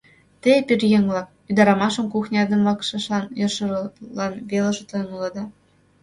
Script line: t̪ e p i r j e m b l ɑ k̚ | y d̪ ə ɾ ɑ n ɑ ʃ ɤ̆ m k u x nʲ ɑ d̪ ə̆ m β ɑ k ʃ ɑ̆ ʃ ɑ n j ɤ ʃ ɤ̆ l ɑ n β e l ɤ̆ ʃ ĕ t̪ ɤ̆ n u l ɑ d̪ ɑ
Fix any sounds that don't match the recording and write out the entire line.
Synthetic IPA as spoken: t̪ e p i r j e ŋ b l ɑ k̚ | y d̪ ɑ ɾ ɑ m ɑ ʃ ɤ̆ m k u x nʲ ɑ d̪ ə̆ m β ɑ k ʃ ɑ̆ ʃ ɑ n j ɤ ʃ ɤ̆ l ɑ n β e l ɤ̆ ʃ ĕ t̪ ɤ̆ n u l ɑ d̪ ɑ

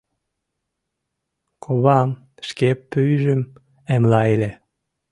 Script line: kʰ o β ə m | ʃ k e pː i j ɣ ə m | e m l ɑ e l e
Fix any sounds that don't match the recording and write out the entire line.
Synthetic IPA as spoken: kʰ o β ɑ m | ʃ k e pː y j ʒ ə m | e m l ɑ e l e

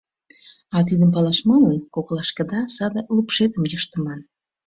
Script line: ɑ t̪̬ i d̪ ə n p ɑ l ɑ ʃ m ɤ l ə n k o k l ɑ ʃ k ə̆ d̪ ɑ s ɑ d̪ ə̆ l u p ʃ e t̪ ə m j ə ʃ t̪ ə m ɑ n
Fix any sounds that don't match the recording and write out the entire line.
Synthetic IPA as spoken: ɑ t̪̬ i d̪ ə m p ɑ l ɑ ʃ m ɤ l ə n k o k l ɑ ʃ k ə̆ d̪ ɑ s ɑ d̪ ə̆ l u p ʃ e t̪ ə m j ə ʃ t̪ ə m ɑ n

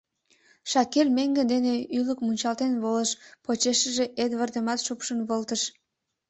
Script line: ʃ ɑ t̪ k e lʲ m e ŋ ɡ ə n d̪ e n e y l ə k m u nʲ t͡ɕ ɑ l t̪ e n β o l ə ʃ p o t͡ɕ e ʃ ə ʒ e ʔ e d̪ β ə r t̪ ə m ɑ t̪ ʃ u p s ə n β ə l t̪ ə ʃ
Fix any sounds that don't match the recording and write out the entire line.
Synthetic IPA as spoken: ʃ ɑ k e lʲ m e ŋ ɡ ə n d̪ e n e y l ə k m u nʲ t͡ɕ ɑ l t̪ e n β o l ə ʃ p o t͡ɕ e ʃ ə ʒ e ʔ e d̪ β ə r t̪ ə m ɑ t̪ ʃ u p ʃ ə n β ə l t̪ ə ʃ

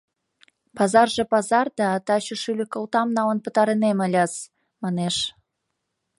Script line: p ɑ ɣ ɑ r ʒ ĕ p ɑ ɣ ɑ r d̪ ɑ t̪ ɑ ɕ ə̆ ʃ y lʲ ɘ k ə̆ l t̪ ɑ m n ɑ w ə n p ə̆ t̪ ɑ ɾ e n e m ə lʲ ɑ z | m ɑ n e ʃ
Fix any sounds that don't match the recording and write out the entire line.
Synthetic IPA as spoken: p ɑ z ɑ r ʒ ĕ p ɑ z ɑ r d̪ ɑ t̪ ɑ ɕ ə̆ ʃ y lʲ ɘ k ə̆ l t̪ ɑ m n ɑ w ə n p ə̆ t̪ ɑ ɾ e n e m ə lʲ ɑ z | m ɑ n e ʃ

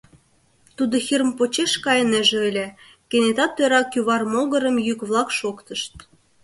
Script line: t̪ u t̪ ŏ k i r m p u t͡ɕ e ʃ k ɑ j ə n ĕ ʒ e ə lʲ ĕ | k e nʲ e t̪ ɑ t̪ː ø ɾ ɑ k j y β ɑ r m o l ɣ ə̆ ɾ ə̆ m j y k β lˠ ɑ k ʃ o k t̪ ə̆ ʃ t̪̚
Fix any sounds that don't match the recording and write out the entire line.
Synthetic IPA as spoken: t̪ u d̪ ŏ x i r m p o t͡ɕ e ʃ k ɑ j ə n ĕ ʒ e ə lʲ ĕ | k e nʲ e t̪ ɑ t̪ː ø ɾ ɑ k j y β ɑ r m o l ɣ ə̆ ɾ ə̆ m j y k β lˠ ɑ k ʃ o k t̪ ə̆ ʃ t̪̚

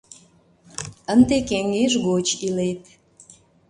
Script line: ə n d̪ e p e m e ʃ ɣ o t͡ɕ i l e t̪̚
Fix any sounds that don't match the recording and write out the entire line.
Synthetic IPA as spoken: ə n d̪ e k e ŋ e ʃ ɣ o t͡ɕ i l e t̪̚

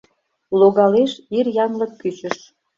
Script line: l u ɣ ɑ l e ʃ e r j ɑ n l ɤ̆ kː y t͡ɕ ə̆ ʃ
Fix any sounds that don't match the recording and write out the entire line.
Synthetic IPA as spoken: l o ɣ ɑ l e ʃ i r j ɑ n l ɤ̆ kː y t͡ɕ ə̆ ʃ

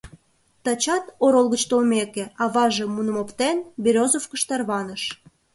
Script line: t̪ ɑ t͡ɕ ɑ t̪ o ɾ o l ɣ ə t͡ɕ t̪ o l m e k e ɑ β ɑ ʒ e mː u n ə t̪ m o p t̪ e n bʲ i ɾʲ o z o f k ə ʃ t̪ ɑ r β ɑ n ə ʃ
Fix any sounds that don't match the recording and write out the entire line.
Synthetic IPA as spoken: t̪ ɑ t͡ɕ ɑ t̪ o ɾ o l ɣ ə t͡ɕ t̪ o l m e k e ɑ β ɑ ʒ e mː u n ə m o p t̪ e n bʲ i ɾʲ o z o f k ə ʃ t̪ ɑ r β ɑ n ə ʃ

